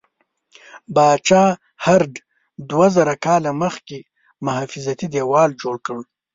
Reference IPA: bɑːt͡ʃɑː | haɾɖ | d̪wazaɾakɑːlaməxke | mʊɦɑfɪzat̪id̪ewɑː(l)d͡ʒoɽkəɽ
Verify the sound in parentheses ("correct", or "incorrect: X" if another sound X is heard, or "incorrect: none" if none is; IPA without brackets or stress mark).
correct